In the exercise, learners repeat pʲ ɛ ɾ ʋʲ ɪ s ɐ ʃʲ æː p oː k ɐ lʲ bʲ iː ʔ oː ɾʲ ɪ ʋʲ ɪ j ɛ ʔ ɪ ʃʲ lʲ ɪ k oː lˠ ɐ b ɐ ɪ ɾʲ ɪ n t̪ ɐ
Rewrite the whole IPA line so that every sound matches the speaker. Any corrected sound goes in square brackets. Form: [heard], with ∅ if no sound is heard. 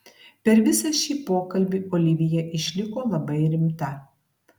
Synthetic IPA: pʲ ɛ ɾ ʋʲ ɪ s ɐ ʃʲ [iː] p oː k ɐ lʲ bʲ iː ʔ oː [lʲ] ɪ ʋʲ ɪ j ɛ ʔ ɪ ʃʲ lʲ ɪ k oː lˠ ɐ b ɐ ɪ ɾʲ ɪ [m] t̪ ɐ